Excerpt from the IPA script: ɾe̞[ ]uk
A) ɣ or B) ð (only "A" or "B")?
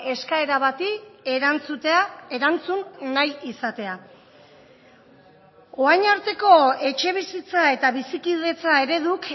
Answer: B